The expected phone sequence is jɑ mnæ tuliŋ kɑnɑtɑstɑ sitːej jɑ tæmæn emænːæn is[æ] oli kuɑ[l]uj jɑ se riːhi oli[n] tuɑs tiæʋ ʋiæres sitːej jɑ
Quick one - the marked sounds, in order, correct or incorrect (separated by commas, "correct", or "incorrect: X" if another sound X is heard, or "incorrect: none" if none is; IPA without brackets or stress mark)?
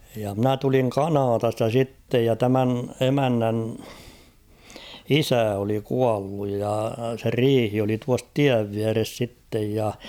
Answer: correct, incorrect: lː, incorrect: none